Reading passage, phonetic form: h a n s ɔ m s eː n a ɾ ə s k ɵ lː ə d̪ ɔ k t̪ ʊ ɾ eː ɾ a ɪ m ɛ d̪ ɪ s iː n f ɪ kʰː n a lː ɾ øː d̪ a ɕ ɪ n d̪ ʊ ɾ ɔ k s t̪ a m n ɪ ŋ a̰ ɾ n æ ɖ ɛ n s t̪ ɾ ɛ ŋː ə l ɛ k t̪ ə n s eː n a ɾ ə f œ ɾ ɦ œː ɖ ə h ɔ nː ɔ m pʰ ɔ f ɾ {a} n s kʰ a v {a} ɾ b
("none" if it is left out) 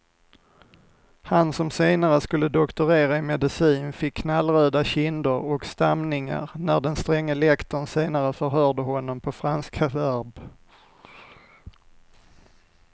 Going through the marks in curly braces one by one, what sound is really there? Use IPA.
a, æ

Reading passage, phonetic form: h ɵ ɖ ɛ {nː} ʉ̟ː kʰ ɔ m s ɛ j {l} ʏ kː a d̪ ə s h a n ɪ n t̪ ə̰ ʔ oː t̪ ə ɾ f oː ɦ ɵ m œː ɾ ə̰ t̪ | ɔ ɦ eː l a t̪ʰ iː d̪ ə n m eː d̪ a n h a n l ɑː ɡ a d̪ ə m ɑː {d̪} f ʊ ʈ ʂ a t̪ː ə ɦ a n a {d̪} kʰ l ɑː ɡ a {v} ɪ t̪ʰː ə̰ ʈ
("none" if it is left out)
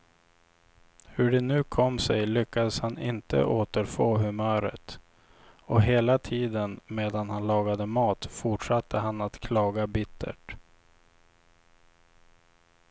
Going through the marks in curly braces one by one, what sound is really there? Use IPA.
n, l, t̪, t̪, b

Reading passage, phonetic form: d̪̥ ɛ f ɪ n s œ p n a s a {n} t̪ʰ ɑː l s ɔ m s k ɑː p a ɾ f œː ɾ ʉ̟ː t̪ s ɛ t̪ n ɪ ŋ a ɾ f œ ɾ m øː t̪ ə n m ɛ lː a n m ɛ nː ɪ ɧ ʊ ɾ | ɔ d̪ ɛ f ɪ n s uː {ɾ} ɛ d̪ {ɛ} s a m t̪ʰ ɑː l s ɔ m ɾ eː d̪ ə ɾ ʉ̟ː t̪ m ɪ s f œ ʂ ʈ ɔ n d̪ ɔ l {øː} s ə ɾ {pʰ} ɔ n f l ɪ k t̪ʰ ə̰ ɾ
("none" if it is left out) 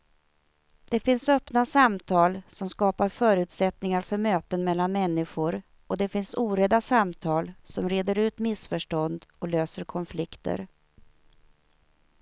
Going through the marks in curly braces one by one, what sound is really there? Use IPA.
m, ɾ, a, øː, kʰ

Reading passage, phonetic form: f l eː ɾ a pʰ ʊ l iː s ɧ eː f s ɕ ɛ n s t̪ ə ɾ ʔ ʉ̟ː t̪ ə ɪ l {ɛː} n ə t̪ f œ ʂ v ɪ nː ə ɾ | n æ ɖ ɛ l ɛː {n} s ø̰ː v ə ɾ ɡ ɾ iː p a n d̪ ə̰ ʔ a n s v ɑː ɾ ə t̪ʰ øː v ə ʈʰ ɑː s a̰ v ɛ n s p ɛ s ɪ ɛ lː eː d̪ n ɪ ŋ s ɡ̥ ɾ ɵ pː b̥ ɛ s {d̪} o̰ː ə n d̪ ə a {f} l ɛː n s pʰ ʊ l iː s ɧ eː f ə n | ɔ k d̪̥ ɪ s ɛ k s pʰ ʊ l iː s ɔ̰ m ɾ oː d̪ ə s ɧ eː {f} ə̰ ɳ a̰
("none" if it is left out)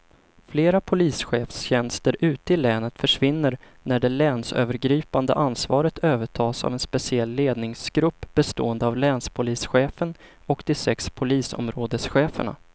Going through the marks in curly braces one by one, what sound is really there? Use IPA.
ɛː, n, t̪, v, f

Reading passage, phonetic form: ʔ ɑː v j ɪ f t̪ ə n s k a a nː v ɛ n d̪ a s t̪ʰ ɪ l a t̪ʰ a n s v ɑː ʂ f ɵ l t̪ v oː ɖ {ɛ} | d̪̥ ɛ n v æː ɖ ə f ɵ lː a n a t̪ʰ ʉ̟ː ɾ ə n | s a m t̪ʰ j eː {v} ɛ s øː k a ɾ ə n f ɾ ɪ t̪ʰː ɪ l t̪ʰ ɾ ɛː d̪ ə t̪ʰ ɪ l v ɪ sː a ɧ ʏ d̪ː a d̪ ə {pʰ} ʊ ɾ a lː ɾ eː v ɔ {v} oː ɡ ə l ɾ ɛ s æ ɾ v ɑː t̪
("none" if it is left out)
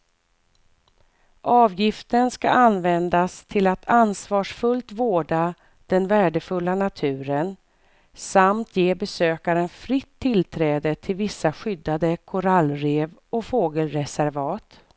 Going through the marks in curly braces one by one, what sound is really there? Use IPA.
a, b, kʰ, f

